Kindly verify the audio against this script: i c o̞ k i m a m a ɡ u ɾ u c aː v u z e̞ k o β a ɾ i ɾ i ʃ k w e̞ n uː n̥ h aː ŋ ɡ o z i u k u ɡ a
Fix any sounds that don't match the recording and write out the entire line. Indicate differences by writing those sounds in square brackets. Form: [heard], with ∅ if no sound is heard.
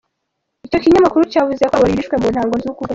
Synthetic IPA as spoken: i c o̞ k i [ɲ] a m a [k] u ɾ u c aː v u z e̞ k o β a ɾ i ɾ i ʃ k w e̞ [m] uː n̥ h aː ŋ ɡ o z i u k u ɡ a